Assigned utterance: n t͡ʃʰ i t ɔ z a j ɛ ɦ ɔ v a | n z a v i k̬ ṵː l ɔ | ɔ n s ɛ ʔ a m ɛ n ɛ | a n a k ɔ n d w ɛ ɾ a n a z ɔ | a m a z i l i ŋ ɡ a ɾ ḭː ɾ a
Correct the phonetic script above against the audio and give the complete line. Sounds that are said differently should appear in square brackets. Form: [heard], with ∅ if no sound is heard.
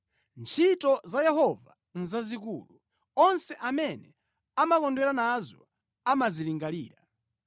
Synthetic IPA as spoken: n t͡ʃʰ i t ɔ z a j ɛ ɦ ɔ v a | n z a [z] i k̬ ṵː l [u] | ɔ n s ɛ ʔ a m ɛ n ɛ | a [m] a k ɔ n d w ɛ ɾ a n a z ɔ | a m a z i l i ŋ ɡ a [l] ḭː ɾ a